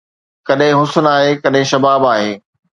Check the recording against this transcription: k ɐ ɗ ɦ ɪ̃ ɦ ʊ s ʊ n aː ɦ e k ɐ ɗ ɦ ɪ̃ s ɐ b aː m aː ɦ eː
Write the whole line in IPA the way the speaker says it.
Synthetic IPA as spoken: k ɐ ɗ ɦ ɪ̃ ɦ ʊ s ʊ n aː ɦ e k ɐ ɗ ɦ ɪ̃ ʃ ɐ b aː b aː ɦ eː